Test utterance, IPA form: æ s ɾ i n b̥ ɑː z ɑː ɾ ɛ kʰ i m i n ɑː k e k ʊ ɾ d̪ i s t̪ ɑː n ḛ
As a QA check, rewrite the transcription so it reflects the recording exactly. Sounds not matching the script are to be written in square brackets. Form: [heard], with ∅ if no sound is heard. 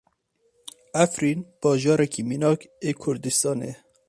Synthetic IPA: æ [f] ɾ i n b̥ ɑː [ʒ] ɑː ɾ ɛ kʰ i m i n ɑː k e [kʰ] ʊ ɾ d̪ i s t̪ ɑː n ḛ